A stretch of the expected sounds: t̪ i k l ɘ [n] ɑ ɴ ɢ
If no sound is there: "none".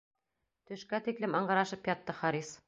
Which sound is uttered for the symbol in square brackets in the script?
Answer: m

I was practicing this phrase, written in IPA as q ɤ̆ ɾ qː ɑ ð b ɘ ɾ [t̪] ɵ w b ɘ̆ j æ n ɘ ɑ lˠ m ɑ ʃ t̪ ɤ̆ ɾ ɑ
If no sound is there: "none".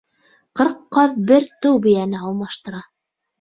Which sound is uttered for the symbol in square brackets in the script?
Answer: t̪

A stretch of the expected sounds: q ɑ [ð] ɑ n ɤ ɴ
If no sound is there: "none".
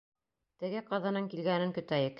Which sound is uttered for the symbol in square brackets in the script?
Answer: ð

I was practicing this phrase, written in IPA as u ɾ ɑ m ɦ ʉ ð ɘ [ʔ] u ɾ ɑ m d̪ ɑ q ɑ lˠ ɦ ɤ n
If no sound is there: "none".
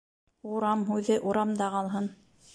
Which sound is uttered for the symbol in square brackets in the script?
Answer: ʔ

